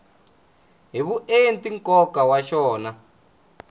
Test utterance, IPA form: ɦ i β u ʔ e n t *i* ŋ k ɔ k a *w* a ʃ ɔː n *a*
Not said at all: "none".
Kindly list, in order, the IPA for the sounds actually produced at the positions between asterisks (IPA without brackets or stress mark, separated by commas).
i, w, a